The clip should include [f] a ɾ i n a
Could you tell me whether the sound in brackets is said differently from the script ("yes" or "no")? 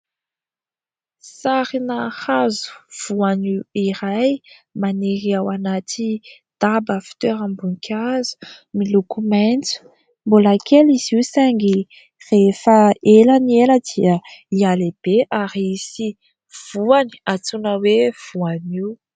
yes